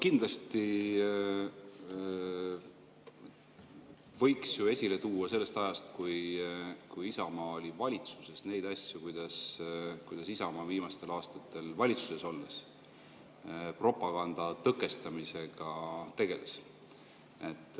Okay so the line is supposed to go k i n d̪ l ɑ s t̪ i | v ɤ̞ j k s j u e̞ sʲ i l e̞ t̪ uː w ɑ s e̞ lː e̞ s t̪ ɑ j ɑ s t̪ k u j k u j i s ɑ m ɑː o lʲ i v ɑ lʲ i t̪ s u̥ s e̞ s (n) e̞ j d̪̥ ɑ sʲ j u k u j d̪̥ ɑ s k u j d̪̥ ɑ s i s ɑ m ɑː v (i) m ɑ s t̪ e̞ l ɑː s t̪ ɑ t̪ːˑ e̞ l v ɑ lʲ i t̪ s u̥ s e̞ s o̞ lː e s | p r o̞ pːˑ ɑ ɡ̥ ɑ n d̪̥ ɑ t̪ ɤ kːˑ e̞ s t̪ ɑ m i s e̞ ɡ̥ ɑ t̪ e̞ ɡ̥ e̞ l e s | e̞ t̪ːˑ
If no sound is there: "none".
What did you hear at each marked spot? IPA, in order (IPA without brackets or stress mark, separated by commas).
n, iː